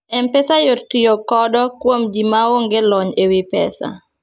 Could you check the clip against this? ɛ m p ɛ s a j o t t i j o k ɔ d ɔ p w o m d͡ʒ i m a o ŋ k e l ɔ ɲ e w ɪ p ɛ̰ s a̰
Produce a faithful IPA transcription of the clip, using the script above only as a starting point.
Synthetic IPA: ɛ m p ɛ s a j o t t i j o k ɔ d ɔ k w o m d͡ʒ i m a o ŋ ɡ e l ɔ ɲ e w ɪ p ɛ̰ s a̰